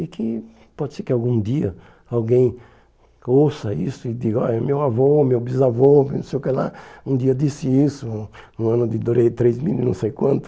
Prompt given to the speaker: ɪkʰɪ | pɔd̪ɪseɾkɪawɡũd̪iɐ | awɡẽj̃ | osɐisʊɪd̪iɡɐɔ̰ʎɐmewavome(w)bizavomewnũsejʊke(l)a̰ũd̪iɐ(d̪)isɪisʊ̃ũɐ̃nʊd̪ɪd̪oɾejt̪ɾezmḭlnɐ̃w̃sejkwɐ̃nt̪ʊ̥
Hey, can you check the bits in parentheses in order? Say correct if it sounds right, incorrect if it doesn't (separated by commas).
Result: correct, correct, correct